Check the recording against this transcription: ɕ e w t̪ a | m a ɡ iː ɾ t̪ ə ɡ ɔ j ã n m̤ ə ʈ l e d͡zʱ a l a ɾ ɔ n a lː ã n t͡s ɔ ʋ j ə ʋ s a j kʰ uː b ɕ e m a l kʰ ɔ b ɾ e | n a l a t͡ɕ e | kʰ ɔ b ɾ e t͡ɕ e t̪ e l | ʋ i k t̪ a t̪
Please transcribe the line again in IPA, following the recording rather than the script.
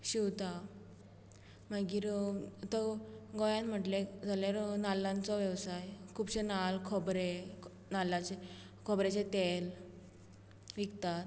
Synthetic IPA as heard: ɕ i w t̪ a | m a ɡ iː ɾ t̪ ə ɡ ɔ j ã n m̤ ə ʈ l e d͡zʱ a l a ɾ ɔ n a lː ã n t͡s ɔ ʋ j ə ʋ s a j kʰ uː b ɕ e n a l kʰ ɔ b ɾ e | n a l a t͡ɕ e | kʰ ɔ b ɾ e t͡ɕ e t̪ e l | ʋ i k t̪ a t̪